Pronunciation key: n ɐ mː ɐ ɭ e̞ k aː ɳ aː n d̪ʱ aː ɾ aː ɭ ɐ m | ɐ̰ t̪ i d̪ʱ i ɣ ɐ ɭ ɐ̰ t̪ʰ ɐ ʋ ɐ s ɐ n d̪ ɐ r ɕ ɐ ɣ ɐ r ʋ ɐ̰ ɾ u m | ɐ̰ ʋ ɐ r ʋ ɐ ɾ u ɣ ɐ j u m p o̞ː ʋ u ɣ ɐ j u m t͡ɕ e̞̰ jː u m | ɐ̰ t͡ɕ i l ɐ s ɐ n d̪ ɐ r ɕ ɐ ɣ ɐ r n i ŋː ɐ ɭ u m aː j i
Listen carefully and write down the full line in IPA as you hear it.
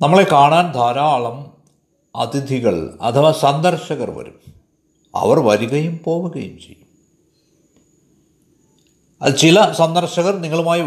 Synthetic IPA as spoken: n ɐ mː ɐ ɭ e̞ k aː ɳ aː n d̪ʱ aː ɾ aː ɭ ɐ m | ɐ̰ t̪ i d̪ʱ i ɣ ɐ ɭ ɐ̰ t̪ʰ ɐ ʋ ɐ s ɐ n d̪ ɐ r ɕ ɐ ɣ ɐ r ʋ ɐ̰ ɾ u m | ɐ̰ ʋ ɐ r ʋ ɐ ɾ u ɣ ɐ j u m p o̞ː ʋ u ɣ ɐ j u m t͡ɕ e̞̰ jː u m | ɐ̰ t͡ɕ i l ɐ s ɐ n d̪ ɐ r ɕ ɐ ɣ ɐ r n i ŋː ɐ ɭ u m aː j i